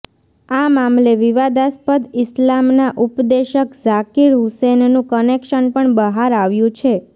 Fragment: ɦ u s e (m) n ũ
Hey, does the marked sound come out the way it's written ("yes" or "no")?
no